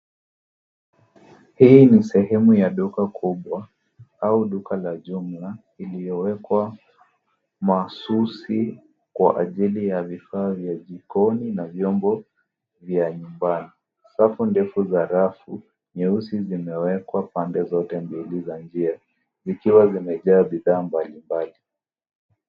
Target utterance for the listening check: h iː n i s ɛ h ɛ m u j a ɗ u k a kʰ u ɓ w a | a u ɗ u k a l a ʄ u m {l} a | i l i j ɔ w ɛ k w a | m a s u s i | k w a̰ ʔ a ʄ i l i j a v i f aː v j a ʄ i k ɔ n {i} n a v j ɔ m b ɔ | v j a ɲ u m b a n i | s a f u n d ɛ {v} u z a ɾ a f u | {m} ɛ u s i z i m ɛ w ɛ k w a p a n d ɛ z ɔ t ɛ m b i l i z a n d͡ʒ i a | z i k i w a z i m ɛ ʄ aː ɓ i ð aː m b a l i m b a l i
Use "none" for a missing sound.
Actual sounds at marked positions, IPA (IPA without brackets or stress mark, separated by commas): l, i, f, ɲ